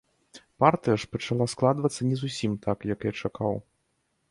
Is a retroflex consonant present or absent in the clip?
present